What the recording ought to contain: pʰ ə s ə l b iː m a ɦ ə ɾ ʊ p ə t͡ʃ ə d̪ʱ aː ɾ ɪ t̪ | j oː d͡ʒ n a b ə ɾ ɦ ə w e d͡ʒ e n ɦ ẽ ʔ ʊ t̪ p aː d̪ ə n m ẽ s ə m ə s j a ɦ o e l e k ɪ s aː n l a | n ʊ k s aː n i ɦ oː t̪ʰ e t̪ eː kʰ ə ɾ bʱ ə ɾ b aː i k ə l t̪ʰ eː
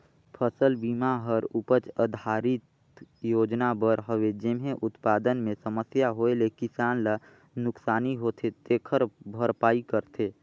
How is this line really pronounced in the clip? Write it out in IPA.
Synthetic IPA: pʰ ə s ə l b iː m a ɦ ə ɾ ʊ p ə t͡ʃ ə d̪ʱ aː ɾ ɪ t̪ | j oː d͡ʒ n a b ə ɾ ɦ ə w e d͡ʒ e m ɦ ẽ ʔ ʊ t̪ p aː d̪ ə n m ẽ s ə m ə s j a ɦ o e l e k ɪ s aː n l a | n ʊ k s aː n i ɦ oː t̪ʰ e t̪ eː kʰ ə ɾ bʱ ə ɾ p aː i k ə ɾ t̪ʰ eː